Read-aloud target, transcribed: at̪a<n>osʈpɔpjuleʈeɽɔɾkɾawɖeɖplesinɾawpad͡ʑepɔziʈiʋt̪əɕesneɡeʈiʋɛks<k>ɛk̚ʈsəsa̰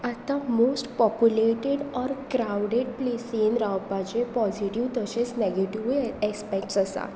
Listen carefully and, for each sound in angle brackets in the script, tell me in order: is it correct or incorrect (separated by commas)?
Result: incorrect, incorrect